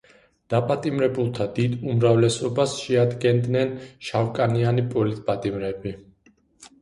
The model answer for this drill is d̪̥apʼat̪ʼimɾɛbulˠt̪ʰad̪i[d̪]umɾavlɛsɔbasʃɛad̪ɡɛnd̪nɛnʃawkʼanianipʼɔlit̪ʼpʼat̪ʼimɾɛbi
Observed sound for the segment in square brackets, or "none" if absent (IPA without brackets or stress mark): d̪